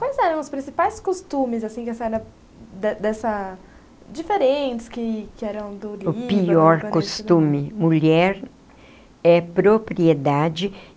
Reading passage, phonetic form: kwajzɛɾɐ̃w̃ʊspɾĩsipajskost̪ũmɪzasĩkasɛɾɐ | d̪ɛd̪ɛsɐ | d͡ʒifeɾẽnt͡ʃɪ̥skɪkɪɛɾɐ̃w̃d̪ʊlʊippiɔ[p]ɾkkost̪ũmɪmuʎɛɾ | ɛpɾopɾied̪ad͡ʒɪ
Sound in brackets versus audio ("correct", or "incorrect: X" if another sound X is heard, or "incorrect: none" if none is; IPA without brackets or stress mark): incorrect: none